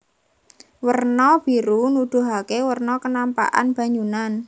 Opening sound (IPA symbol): w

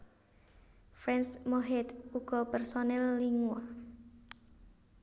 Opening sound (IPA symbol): f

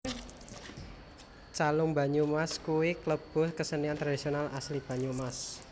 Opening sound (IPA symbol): t͡ʃ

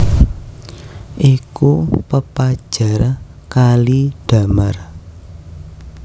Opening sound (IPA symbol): ʔ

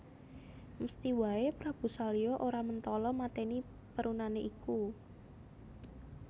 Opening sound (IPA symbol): m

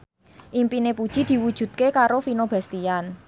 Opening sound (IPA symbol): ʔ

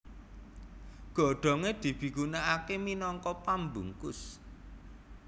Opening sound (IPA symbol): ɡ̥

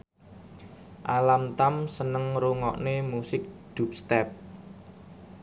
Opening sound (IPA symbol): ʔ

